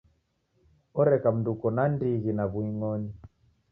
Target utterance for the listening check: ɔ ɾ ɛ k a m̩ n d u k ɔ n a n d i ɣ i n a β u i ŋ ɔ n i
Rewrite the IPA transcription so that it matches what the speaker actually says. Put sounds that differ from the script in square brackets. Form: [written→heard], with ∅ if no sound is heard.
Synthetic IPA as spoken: ɔ ɾ ɛ k a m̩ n d u k ɔ n a n d i ɣ i n a β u i ŋ ɔ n i